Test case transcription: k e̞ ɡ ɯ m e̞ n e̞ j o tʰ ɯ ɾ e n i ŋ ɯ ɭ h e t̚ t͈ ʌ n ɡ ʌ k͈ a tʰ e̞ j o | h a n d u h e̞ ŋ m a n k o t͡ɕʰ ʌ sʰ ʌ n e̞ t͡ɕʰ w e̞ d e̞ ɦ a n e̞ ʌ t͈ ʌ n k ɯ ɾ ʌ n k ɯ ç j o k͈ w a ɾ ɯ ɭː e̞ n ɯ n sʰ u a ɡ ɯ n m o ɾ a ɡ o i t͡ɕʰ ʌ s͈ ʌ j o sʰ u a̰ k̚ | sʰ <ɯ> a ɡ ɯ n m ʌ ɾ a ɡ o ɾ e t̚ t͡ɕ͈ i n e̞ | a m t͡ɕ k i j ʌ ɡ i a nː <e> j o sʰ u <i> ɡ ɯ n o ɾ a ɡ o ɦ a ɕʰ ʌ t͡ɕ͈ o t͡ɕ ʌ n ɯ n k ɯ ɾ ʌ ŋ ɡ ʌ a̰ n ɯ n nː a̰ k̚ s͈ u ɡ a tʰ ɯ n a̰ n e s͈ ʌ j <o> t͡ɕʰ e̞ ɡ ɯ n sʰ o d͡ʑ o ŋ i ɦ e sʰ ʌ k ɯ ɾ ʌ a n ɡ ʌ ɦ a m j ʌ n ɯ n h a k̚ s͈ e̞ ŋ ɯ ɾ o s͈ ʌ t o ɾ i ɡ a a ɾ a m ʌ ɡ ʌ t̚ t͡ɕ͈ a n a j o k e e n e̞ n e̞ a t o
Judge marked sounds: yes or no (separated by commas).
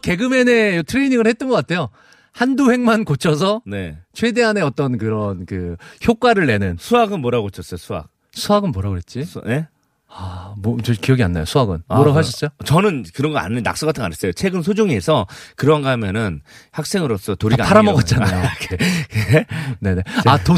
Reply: no, no, no, yes